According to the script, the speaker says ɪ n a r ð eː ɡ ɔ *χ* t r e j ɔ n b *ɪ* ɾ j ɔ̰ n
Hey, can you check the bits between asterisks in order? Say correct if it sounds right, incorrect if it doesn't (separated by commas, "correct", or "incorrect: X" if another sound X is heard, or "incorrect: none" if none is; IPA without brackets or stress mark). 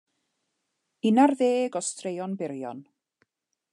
incorrect: s, correct